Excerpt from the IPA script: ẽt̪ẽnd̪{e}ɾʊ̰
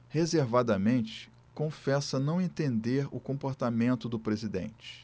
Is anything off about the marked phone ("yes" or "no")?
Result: no